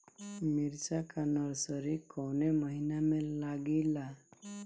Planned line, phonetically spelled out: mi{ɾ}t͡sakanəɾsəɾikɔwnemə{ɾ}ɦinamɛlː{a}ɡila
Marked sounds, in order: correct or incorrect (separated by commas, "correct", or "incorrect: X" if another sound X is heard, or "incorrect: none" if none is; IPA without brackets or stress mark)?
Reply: correct, incorrect: none, correct